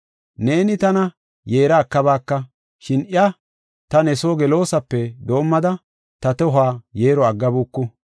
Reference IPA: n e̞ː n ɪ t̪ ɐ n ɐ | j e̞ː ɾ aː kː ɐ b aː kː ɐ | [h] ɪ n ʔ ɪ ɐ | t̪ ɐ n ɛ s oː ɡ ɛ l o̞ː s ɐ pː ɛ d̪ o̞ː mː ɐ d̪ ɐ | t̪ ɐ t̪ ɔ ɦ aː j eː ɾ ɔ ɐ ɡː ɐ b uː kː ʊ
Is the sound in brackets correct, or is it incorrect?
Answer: incorrect